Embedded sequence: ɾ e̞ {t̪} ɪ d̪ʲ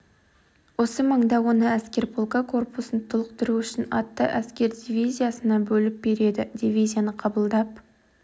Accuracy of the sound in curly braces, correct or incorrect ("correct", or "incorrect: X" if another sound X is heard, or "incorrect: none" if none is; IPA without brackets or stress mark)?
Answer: incorrect: d̪